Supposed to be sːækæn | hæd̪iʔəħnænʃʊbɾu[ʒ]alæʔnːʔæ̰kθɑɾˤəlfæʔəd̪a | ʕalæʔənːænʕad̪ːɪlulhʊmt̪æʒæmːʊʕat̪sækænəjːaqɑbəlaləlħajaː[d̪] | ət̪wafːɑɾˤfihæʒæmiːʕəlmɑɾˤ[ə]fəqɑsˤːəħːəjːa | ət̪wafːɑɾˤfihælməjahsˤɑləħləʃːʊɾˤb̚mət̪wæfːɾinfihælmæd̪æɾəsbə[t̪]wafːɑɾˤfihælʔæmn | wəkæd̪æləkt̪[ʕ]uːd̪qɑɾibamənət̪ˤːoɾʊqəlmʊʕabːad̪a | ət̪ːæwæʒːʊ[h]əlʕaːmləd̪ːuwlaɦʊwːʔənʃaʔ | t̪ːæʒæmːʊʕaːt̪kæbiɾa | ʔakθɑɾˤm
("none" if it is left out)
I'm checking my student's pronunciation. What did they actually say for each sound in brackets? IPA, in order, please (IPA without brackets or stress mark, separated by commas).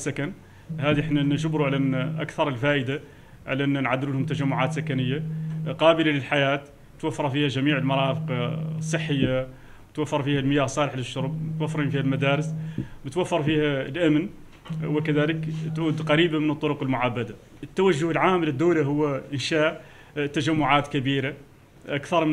ʕ, t̪, ɑ, t̪, ʕ, h